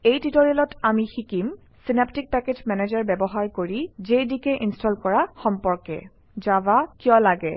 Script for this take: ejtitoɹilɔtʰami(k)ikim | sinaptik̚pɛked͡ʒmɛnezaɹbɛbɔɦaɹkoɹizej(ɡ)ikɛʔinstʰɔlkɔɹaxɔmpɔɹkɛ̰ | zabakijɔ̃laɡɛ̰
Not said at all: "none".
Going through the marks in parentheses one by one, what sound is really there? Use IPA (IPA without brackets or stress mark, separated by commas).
x, d